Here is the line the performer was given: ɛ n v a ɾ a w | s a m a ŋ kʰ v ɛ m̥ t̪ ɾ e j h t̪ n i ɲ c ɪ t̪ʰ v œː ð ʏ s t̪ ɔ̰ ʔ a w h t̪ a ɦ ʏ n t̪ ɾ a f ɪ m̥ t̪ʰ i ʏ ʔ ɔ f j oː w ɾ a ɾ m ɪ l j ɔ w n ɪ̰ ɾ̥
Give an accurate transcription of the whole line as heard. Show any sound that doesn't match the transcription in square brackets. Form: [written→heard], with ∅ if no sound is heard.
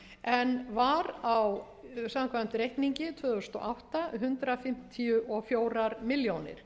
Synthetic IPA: ɛ n v a ɾ a w | s a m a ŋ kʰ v [ɛ→a] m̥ t̪ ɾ e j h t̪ n i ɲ c ɪ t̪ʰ v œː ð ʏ s t̪ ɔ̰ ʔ a w h t̪ a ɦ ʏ n t̪ ɾ a f ɪ m̥ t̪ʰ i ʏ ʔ ɔ f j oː w ɾ a ɾ m ɪ l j [ɔ→o] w n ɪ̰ ɾ̥

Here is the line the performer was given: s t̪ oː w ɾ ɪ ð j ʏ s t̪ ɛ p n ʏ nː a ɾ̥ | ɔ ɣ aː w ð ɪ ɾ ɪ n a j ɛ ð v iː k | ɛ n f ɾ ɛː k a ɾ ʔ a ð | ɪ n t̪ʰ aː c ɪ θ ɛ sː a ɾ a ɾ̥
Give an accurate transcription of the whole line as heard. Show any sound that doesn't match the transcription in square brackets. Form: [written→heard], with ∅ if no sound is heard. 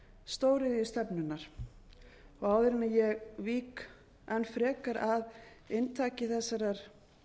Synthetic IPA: s t̪ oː w ɾ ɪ ð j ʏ s t̪ ɛ p n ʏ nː a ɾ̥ | ɔ ɣ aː w ð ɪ ɾ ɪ n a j ɛ [ð→ɣ] v iː k | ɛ n f ɾ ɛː k a ɾ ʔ a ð | ɪ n t̪ʰ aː c ɪ θ ɛ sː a ɾ a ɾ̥

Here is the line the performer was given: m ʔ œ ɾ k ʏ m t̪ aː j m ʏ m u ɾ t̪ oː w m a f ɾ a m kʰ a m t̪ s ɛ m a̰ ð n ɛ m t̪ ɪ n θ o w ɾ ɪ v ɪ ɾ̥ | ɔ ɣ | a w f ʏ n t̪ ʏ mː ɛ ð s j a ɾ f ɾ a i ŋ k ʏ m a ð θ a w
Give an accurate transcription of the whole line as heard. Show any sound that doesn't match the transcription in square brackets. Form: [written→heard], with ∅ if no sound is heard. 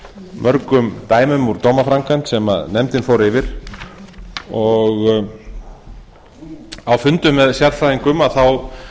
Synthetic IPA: m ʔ œ ɾ k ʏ m t̪ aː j m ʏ m u ɾ t̪ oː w m a f ɾ a [m→ŋ] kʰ a [m→n] t̪ s ɛ m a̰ ð n ɛ m t̪ ɪ n [θ→f] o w ɾ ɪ v ɪ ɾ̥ | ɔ ɣ | a w f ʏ n t̪ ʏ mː ɛ ð s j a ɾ f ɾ a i ŋ k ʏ m a ð θ a w

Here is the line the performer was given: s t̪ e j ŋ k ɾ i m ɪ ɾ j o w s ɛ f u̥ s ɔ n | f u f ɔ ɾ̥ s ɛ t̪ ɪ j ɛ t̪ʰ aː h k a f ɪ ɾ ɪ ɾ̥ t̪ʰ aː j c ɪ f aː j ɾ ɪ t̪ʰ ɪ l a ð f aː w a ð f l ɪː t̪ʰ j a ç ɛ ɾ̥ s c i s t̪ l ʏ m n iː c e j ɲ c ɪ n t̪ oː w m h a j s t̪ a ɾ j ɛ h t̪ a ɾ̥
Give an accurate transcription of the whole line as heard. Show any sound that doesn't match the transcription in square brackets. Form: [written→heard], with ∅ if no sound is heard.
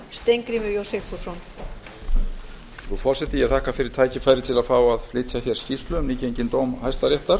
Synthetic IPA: s t̪ e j ŋ k ɾ i m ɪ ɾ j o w s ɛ f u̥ s ɔ n | [f→θ] u f ɔ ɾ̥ s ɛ t̪ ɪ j ɛ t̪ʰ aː h k a f ɪ ɾ ɪ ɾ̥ t̪ʰ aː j c ɪ f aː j ɾ ɪ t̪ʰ ɪ l a ð f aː w a ð f l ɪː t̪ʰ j a ç ɛ ɾ̥ s c i s t̪ l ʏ m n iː c e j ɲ c ɪ n t̪ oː w m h a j s t̪ a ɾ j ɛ h t̪ a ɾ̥

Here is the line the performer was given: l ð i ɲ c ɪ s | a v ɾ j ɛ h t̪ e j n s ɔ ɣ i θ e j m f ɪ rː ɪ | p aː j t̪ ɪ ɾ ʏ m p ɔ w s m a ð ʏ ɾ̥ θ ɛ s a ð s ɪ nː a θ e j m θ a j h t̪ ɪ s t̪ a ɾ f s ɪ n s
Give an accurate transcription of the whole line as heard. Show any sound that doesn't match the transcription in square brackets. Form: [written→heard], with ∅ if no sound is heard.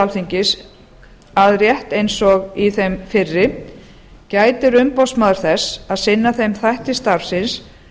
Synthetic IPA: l [ð→θ] i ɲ c ɪ s | a [v→ð] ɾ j ɛ h t̪ e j n s ɔ ɣ i θ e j m f ɪ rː ɪ | [p→c] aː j t̪ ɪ ɾ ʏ m p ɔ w s m a ð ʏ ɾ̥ θ ɛ s a ð s ɪ nː a θ e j m θ a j h t̪ ɪ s t̪ a ɾ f s ɪ n s

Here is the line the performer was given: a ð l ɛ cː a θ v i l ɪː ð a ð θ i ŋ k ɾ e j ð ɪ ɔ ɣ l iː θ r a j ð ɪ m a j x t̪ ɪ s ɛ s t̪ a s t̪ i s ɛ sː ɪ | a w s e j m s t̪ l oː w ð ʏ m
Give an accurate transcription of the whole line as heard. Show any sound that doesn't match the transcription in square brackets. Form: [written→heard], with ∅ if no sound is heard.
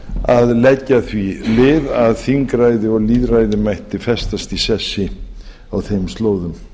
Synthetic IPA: a ð l ɛ cː a θ v i l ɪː ð a ð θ i ŋ k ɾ [e→a] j ð ɪ ɔ ɣ l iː [θ→ð] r a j ð ɪ m a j [x→h] t̪ ɪ [s→f] ɛ s t̪ a s t̪ i s ɛ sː ɪ | a w [s→θ] e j m s t̪ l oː w ð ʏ m

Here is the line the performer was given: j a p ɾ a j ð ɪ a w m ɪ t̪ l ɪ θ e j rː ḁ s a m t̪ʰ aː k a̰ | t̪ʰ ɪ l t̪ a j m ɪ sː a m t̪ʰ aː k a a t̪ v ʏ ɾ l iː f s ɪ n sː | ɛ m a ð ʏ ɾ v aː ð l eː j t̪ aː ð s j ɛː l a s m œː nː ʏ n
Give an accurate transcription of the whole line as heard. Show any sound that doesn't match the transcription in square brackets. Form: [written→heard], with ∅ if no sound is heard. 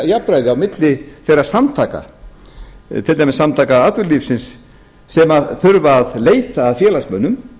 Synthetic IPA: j a p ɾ a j ð ɪ a w m ɪ t̪ l ɪ θ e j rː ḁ s a m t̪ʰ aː k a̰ | t̪ʰ ɪ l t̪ a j m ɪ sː a m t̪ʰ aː k a a t̪ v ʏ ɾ l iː f s ɪ n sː | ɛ m a [ð→θ] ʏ ɾ v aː ð l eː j t̪ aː ð [s→f] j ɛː l a s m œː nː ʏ [n→m]

